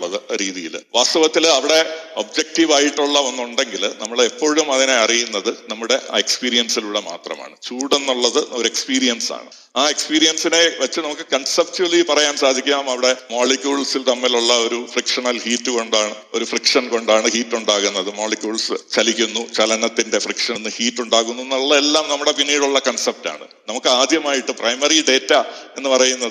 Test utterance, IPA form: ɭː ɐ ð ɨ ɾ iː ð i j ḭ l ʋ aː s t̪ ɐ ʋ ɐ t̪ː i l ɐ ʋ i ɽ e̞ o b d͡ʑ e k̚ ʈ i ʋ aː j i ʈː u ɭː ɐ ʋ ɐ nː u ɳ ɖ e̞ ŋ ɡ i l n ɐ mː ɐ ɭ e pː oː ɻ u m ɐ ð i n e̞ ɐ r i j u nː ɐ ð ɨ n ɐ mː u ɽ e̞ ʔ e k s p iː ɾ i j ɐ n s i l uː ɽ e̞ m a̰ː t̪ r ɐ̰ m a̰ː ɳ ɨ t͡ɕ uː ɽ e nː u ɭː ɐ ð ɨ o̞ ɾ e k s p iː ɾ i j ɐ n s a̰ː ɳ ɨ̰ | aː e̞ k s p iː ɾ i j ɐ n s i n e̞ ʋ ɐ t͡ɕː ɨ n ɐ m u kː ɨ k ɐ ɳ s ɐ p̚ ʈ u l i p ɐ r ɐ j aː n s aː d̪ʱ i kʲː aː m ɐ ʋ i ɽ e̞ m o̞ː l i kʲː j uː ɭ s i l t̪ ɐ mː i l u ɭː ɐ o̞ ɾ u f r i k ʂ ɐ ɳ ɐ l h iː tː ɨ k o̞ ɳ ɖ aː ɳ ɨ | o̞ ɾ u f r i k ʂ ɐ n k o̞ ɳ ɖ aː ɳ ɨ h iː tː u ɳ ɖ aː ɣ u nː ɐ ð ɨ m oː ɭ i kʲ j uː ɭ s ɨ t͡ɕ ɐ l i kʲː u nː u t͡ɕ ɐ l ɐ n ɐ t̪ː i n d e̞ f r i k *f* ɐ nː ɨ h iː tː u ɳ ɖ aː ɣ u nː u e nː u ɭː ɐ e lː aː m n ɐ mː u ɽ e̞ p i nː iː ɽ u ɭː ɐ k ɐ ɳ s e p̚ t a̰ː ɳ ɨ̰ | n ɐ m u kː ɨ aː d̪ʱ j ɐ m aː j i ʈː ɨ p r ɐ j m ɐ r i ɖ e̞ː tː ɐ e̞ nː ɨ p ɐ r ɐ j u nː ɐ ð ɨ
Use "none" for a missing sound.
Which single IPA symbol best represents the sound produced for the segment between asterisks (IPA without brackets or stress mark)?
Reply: ʂ